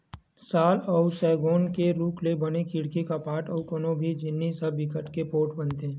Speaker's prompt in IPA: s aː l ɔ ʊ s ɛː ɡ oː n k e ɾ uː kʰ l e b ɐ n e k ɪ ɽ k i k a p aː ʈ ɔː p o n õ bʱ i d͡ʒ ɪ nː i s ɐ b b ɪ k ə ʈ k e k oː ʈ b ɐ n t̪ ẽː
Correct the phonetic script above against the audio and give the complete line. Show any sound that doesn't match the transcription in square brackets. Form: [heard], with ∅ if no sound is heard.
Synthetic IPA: s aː l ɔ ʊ s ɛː ɡ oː n k e ɾ uː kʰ l e b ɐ n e k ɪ ɽ k i k a p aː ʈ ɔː [k] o n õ bʱ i d͡ʒ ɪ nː i s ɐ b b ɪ k ə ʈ k e [p] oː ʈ b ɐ n t̪ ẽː